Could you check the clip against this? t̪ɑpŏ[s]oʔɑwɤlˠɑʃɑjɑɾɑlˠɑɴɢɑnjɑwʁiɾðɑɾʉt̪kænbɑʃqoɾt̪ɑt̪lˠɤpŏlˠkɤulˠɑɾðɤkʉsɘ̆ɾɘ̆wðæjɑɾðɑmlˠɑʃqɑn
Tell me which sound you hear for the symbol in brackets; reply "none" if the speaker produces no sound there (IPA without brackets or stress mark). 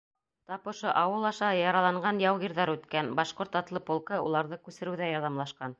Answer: ʃ